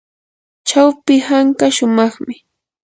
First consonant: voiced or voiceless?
voiceless